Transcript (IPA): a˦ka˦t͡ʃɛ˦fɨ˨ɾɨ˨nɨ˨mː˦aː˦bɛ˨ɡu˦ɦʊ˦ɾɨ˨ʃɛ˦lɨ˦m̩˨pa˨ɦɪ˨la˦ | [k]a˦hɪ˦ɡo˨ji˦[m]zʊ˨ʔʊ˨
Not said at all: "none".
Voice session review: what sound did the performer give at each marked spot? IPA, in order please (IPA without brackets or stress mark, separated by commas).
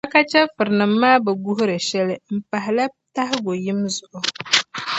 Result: t, m